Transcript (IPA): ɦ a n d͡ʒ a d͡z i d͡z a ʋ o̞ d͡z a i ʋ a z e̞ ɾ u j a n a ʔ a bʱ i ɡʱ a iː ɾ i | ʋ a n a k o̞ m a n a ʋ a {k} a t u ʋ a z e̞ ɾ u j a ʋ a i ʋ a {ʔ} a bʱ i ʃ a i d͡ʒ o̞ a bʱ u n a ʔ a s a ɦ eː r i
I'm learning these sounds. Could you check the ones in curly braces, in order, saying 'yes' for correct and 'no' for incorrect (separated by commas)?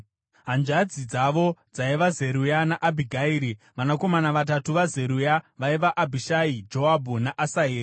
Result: no, yes